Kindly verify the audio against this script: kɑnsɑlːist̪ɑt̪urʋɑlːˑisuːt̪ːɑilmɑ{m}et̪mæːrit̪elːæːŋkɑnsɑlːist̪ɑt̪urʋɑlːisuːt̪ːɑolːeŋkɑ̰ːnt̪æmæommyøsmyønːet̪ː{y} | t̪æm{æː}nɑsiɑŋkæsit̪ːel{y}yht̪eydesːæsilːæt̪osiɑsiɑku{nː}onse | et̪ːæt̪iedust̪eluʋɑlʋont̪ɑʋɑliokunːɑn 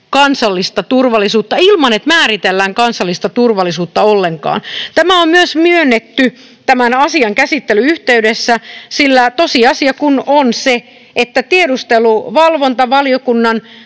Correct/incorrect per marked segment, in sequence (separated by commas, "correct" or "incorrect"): incorrect, correct, incorrect, correct, incorrect